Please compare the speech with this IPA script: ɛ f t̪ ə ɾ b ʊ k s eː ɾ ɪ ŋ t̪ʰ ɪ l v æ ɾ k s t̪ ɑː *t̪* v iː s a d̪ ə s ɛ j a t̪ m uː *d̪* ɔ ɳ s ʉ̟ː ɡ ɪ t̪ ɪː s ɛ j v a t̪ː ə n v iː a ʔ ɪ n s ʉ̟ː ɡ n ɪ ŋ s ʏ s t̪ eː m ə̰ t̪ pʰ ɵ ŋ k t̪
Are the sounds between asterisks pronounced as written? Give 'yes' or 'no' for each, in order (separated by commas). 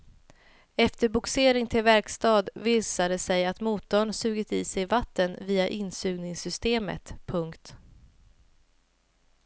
no, no